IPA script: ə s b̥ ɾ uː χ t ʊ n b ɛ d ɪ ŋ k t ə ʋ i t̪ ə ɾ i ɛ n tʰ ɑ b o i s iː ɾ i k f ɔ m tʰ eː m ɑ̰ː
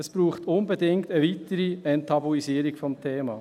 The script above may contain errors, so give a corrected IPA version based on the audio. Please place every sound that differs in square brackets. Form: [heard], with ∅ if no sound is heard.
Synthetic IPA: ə s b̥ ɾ uː χ t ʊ n b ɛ d ɪ ŋ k t ə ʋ i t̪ ə ɾ i ɛ n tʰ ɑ b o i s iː ɾ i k f ɔ m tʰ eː m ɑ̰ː